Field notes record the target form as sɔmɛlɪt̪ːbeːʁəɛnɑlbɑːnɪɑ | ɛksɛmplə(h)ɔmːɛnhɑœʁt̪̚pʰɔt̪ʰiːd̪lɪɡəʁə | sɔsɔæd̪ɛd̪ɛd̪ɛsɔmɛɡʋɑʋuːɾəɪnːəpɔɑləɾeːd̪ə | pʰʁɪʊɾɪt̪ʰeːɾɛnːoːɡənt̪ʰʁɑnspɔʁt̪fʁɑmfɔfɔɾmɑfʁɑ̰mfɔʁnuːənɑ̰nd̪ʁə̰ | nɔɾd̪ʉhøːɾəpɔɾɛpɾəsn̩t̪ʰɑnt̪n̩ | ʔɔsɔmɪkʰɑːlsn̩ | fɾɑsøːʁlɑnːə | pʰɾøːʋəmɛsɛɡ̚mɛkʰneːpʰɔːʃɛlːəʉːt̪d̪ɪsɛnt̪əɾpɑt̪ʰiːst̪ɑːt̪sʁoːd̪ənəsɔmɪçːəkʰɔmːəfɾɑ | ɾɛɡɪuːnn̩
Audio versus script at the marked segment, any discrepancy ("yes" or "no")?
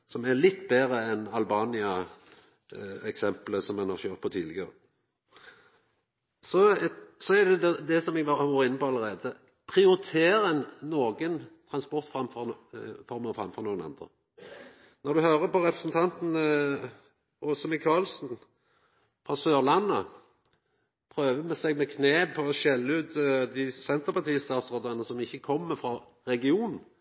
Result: yes